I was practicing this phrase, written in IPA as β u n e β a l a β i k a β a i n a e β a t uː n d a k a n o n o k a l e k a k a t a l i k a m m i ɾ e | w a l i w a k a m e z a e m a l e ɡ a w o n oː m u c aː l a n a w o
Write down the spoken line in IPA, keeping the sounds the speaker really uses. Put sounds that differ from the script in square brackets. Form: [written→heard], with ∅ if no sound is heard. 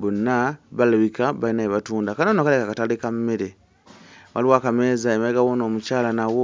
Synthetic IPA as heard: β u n [e→a] β a l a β i k a β a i n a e β a t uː n d a k a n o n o k a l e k a k a t a l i k a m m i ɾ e | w a l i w a k a m e z a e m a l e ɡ a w o n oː m u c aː l a n a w o